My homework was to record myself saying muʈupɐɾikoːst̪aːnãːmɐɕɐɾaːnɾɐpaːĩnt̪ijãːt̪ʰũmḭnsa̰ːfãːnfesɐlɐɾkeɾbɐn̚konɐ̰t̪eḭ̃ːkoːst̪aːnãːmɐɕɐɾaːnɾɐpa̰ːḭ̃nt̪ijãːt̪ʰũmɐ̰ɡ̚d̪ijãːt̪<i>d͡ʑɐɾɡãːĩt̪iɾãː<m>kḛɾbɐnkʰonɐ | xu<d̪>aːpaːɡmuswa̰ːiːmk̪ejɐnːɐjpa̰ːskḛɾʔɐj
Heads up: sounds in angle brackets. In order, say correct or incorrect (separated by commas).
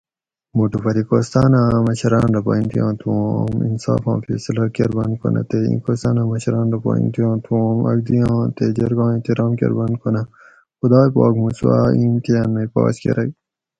incorrect, correct, correct